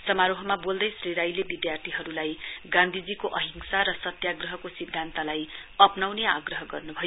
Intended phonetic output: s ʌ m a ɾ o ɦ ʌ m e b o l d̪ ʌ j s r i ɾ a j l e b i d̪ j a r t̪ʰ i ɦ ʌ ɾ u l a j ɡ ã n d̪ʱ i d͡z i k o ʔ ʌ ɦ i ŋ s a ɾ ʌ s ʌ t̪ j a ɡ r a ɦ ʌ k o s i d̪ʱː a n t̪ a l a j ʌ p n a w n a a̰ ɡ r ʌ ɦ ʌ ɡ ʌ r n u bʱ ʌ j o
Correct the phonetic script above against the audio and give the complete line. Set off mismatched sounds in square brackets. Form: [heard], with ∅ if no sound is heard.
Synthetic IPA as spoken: s ʌ m a ɾ o ɦ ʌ m [a] b o l d̪ ʌ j s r i ɾ a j l e b i d̪ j a r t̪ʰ i ɦ ʌ ɾ u l a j ɡ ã n d̪ʱ i d͡z i k o ʔ ʌ ɦ i ŋ s a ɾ ʌ s ʌ t̪ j a ɡ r [ʌ] ɦ ʌ k o s i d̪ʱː a n t̪ a l a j ʌ p n a w n [e] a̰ ɡ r ʌ ɦ ʌ ɡ ʌ r n u bʱ ʌ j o